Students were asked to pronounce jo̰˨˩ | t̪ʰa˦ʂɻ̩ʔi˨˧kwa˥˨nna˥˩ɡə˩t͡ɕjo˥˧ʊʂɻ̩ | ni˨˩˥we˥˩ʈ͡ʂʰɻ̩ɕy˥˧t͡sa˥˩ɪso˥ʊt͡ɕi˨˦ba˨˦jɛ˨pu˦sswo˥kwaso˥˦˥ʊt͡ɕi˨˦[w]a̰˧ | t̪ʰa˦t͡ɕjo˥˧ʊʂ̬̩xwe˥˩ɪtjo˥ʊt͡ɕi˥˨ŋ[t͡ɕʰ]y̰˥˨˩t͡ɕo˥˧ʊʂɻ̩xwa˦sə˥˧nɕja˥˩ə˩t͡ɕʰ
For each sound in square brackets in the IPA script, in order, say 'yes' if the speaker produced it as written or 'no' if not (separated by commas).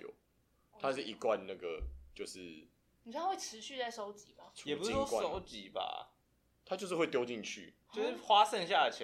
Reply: no, yes